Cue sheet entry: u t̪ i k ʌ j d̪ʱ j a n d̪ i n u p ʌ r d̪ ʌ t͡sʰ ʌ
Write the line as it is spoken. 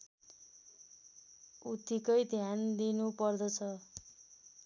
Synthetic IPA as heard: u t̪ i k ʌ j d̪ʱ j a n d̪ i n u p ʌ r d̪ ʌ t͡sʰ ʌ